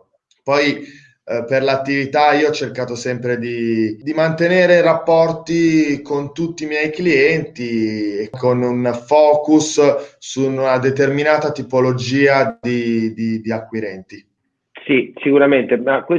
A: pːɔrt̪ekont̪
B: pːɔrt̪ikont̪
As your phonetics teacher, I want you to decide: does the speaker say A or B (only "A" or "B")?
B